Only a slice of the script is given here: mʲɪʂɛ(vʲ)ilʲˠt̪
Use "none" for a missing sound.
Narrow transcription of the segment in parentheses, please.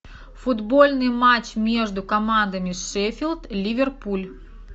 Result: fʲ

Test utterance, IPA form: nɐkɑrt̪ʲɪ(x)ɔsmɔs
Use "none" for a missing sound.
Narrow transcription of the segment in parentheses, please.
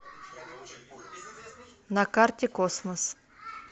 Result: k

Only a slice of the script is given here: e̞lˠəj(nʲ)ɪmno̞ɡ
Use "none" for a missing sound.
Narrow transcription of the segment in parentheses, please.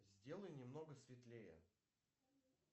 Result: nʲ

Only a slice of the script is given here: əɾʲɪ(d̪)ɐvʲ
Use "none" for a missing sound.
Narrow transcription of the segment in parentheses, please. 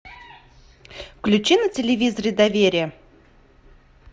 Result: d̪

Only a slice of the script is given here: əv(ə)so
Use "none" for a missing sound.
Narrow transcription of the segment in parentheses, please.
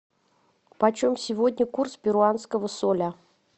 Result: ə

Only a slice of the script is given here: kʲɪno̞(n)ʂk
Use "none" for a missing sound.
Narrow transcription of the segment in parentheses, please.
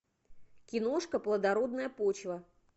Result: none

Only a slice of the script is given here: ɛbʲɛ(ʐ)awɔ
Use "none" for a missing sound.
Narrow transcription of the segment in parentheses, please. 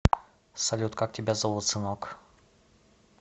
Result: z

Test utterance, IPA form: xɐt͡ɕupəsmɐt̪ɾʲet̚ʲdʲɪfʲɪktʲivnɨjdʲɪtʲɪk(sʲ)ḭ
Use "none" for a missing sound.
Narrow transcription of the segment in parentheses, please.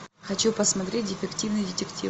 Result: tʲ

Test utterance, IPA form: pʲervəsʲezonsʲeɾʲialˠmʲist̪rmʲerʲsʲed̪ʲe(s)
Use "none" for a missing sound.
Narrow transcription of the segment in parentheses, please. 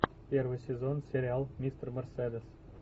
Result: s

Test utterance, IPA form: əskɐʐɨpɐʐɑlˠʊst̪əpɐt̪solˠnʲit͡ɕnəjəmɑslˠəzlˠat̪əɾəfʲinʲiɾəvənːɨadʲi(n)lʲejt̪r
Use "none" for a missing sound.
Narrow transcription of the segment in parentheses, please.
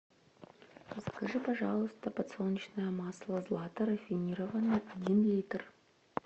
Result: n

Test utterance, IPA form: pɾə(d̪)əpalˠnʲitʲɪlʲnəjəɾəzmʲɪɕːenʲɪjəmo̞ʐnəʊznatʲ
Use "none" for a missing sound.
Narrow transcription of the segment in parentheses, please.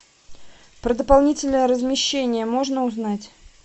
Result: d̪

